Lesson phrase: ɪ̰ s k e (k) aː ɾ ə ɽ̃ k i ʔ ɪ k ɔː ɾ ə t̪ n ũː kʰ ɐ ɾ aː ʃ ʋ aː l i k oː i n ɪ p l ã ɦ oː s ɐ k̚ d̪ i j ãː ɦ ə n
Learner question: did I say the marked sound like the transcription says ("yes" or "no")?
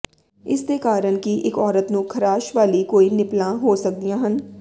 yes